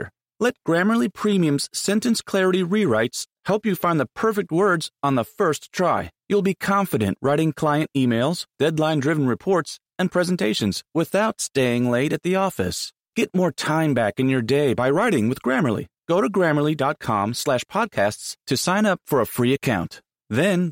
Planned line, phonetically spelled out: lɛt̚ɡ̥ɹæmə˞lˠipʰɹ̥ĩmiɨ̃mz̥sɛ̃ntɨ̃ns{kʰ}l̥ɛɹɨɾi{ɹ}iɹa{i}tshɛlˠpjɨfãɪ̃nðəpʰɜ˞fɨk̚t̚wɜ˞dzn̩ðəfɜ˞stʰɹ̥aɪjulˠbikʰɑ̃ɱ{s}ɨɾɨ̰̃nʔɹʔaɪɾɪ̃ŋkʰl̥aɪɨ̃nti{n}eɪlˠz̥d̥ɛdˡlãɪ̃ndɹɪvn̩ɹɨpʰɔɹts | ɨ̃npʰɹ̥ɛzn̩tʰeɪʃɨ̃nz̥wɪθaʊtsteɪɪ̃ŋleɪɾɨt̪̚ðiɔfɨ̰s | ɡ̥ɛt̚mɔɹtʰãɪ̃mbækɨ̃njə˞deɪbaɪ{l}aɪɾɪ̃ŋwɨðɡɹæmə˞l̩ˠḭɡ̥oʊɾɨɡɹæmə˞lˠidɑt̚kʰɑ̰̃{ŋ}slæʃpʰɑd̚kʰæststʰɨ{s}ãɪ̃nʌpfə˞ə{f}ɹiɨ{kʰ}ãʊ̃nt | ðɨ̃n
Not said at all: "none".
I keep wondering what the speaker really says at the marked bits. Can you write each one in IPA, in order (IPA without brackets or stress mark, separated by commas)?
kʰ, ɹ, ɪ, f, m, ɹ, m, s, f, kʰ